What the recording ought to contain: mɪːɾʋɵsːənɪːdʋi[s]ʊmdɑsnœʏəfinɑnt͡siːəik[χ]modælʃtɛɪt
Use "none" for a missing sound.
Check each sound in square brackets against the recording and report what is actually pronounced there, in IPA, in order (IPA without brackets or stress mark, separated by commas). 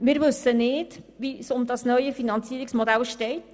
s, s